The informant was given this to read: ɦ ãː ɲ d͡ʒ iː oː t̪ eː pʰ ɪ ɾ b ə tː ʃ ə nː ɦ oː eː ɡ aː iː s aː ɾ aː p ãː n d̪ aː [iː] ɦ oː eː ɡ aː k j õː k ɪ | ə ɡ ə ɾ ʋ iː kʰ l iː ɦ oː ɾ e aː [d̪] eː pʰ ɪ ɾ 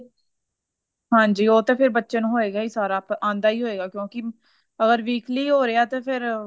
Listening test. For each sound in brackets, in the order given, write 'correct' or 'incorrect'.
correct, incorrect

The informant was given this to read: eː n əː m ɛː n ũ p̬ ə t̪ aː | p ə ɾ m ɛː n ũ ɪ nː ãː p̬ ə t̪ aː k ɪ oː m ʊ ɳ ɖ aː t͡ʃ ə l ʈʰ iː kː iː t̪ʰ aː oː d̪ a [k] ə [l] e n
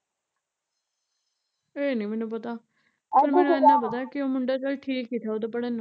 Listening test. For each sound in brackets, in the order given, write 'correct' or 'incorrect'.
incorrect, incorrect

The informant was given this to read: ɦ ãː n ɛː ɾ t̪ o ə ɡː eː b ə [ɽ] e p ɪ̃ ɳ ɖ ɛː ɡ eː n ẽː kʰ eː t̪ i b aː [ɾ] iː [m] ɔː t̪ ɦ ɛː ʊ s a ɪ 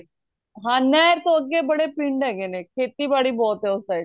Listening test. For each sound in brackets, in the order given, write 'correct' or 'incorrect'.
correct, incorrect, incorrect

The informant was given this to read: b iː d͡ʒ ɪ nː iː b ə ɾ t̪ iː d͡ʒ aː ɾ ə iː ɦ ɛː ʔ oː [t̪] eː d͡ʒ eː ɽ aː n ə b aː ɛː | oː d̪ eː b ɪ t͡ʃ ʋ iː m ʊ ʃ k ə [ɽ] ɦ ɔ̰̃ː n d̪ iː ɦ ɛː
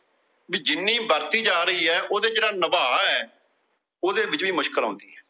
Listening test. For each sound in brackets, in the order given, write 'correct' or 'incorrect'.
incorrect, incorrect

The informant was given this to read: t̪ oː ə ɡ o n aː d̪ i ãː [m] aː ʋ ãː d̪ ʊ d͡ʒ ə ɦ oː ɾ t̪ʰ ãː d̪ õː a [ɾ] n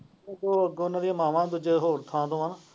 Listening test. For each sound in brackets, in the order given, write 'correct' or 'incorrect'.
correct, incorrect

